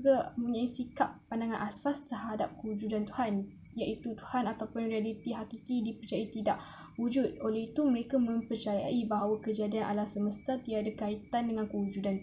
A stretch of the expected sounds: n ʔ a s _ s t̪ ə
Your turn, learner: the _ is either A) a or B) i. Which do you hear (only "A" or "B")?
A